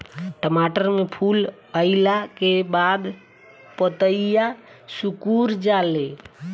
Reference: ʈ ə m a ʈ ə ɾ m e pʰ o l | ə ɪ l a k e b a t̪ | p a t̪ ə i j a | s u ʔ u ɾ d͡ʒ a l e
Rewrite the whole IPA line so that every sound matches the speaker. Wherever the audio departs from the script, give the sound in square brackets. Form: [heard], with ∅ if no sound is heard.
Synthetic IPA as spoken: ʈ ə m a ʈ ə ɾ m e pʰ [u] l | ə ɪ l a k e b a [d̪] | p [ə] t̪ ə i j a | s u [k] u ɾ d͡ʒ a l e